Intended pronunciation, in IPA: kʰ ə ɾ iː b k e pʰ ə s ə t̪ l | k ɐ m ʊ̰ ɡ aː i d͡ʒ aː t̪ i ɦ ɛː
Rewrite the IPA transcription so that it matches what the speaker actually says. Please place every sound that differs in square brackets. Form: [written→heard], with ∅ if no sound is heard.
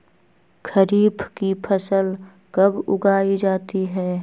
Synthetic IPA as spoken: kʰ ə ɾ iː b k [e→i] pʰ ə s ə [t̪→∅] l | k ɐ [m→b] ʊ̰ ɡ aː i d͡ʒ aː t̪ i ɦ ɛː

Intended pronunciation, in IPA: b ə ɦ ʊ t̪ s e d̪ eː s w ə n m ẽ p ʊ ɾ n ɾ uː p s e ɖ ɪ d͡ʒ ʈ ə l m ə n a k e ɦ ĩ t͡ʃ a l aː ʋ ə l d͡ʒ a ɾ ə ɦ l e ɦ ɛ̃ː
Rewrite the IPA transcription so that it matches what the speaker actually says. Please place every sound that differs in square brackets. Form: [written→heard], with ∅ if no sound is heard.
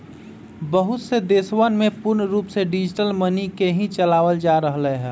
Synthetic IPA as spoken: b ə ɦ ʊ t̪ s e d̪ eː s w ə n m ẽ p ʊ ɾ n ɾ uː p s e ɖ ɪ d͡ʒ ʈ ə l m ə n [a→i] k e ɦ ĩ t͡ʃ [a→ə] l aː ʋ ə l d͡ʒ a ɾ ə ɦ l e ɦ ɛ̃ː

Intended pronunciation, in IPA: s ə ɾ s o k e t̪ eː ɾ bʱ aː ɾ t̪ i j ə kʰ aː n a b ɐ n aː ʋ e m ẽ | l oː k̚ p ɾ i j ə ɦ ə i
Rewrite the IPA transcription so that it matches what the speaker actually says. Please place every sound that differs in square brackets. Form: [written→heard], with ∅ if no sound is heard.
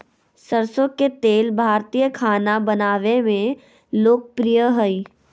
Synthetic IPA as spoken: s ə ɾ s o k e t̪ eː [ɾ→l] bʱ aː ɾ t̪ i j ə kʰ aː n a b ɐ n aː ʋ e m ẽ | l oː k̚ p ɾ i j ə ɦ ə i

